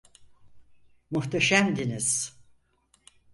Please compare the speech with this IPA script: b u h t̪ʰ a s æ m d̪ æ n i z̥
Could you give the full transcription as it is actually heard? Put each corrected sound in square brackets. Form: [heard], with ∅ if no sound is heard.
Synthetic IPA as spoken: [m] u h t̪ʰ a [ʃ] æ m d̪ [i] n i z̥